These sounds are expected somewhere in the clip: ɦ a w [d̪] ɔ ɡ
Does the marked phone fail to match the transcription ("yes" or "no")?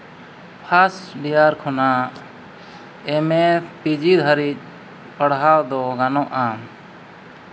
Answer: no